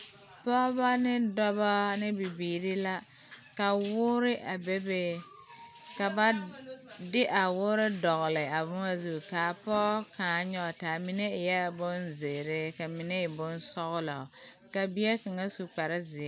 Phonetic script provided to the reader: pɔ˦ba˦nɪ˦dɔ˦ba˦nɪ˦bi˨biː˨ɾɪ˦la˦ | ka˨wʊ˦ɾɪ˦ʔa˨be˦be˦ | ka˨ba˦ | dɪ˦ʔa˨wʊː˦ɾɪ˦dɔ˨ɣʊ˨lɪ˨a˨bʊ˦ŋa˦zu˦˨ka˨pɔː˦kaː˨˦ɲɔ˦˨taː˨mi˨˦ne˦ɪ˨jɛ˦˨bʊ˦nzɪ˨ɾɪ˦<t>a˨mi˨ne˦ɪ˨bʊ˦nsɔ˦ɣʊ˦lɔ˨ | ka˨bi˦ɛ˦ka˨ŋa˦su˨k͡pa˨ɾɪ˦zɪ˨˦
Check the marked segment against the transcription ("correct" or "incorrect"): incorrect